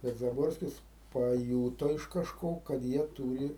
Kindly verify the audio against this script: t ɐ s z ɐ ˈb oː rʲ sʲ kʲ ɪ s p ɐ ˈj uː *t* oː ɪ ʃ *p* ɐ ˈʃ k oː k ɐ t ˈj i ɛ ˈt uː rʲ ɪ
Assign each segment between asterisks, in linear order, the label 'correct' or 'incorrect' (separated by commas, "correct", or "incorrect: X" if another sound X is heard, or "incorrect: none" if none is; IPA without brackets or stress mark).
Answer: correct, incorrect: k